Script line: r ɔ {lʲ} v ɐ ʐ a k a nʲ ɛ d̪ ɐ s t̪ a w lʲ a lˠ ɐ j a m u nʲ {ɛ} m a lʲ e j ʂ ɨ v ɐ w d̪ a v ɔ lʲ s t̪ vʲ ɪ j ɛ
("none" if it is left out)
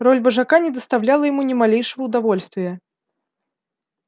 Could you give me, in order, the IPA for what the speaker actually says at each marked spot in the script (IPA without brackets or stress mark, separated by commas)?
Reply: lʲ, ɛ